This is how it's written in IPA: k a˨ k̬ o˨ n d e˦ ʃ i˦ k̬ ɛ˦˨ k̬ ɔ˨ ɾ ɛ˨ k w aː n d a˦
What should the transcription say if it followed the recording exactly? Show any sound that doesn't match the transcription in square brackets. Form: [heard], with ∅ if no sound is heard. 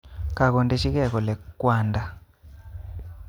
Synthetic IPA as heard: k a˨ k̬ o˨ n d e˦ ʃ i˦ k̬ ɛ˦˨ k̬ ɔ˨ [l] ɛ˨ k w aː n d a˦

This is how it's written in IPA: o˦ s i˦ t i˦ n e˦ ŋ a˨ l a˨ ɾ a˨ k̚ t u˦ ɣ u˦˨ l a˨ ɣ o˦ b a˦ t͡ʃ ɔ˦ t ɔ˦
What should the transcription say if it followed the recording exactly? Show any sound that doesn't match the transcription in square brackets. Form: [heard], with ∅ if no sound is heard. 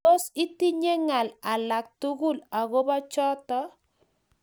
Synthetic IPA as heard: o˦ s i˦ t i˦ [ɲ] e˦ ŋ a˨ l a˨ [l] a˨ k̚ t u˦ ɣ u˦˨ l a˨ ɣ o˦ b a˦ t͡ʃ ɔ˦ t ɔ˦

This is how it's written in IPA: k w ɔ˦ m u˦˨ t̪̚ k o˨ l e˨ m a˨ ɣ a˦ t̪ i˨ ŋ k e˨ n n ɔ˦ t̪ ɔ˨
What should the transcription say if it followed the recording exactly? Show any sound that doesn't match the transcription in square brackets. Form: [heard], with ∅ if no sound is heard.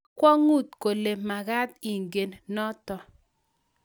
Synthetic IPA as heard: k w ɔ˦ [ŋ] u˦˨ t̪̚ k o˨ l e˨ m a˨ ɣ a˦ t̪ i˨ ŋ [ɡ] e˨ n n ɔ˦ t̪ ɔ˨

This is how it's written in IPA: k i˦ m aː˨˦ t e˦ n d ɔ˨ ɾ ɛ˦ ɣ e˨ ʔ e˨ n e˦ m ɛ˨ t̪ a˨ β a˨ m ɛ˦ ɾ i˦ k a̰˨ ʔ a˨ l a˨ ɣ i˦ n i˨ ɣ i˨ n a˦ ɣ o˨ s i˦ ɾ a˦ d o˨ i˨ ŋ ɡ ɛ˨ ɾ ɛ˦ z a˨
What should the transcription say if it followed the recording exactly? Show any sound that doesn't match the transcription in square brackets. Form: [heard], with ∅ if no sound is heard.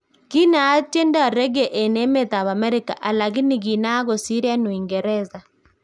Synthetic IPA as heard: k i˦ [n] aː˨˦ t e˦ n d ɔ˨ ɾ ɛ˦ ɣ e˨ ʔ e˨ n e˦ m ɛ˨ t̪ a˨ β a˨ m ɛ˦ ɾ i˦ k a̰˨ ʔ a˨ l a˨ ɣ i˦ n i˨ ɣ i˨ n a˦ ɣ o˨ s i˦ ɾ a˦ [n] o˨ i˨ ŋ ɡ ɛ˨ ɾ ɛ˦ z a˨

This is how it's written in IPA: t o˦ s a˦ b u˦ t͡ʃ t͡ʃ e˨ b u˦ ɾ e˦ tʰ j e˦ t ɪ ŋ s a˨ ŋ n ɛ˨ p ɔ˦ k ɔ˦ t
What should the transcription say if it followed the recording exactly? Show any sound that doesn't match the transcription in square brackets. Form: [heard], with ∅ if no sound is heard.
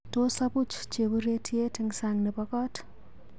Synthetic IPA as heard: t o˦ s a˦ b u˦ t͡ʃ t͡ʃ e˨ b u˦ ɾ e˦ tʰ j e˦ t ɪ ŋ s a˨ ŋ n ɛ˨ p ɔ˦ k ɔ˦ t

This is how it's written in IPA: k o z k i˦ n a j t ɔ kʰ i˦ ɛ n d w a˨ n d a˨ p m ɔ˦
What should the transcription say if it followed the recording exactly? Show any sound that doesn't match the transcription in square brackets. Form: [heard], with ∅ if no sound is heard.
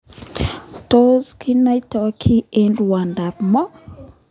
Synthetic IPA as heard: [t] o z k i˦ n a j t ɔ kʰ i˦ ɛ n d w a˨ n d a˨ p m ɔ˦

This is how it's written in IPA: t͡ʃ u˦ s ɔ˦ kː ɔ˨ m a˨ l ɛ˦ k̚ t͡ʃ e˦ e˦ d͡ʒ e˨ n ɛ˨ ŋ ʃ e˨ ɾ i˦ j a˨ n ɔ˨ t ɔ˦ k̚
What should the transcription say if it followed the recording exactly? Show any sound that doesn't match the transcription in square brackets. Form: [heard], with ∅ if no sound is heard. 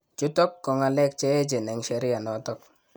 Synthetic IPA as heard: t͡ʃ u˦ [t] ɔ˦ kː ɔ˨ [ŋ] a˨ l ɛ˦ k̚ t͡ʃ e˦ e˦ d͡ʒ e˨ n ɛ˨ ŋ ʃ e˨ ɾ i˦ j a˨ n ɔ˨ t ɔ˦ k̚

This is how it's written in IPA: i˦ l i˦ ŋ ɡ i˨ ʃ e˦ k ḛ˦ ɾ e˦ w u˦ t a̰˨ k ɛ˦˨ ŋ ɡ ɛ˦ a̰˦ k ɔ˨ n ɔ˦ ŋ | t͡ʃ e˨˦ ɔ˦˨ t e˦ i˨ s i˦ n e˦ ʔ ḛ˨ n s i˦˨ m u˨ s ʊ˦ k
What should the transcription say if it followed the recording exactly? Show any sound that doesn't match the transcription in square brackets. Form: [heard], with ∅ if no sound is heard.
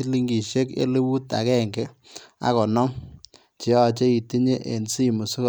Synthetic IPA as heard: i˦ l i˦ ŋ ɡ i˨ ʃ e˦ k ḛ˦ [l] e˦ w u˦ t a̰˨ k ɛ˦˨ ŋ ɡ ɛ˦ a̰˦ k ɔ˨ n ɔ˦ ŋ | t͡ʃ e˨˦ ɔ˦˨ [t͡ʃ] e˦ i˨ [t] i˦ [ɲ] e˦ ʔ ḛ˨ n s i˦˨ m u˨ s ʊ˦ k

